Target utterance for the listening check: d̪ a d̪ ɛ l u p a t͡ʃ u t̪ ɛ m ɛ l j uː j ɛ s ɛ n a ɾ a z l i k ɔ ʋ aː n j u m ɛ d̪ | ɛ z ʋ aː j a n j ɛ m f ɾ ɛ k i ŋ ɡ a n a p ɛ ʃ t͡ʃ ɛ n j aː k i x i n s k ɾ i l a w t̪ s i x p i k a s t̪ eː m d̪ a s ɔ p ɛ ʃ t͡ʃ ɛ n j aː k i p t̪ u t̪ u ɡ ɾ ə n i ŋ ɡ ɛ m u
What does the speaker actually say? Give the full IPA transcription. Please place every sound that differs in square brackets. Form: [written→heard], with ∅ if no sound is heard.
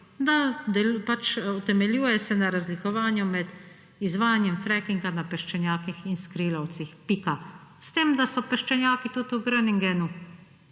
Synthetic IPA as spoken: d̪ a d̪ ɛ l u p a t͡ʃ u t̪ ɛ m ɛ l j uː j ɛ s ɛ n a ɾ a z l i k ɔ ʋ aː n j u m ɛ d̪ | [ɛ→i] z ʋ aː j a n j ɛ m f ɾ ɛ k i ŋ ɡ a n a p ɛ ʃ t͡ʃ ɛ n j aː k i x i n s k ɾ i l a w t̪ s i x p i k a s t̪ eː m d̪ a s ɔ p ɛ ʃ t͡ʃ ɛ n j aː k i [p→∅] t̪ u t̪ u ɡ ɾ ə n i ŋ ɡ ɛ [m→n] u